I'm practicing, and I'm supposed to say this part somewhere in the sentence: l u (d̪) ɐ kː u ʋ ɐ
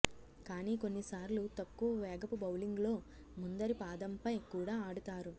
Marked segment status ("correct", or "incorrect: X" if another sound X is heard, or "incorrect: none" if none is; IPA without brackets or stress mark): incorrect: t̪